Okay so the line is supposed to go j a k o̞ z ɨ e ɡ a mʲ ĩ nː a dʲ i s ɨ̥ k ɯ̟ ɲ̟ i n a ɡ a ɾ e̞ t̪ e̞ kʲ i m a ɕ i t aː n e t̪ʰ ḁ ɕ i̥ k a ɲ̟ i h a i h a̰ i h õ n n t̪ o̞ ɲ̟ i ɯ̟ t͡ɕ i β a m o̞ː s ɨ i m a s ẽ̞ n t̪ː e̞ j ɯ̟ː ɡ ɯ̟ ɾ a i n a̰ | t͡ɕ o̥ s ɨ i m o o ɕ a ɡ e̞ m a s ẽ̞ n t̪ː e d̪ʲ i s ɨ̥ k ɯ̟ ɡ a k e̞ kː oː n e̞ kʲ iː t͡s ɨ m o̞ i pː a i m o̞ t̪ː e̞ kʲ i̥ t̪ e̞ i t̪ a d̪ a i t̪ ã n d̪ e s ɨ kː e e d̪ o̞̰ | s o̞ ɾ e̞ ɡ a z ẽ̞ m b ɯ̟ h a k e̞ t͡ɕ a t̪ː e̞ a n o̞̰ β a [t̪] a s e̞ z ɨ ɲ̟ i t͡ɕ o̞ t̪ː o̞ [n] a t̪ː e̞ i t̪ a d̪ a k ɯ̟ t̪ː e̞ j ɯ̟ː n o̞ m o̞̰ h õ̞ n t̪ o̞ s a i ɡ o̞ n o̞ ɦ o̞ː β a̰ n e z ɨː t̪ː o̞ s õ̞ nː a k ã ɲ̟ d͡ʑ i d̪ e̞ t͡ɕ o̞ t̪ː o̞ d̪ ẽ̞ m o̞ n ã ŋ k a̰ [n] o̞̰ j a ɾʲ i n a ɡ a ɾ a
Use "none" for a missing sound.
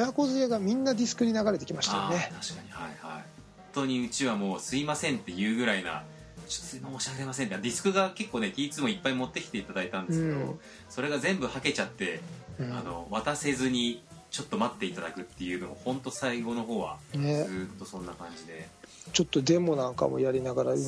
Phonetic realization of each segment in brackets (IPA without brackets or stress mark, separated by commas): t̪, m, m